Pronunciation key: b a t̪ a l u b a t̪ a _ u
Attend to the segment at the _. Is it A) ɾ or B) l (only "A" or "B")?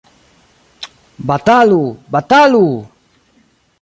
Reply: B